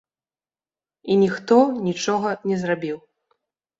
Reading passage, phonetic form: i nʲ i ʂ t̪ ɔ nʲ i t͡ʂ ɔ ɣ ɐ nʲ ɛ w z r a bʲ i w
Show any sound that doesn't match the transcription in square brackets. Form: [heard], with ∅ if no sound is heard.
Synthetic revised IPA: i nʲ i [x] t̪ ɔ nʲ i t͡ʂ ɔ ɣ ɐ nʲ ɛ [∅] z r a bʲ i w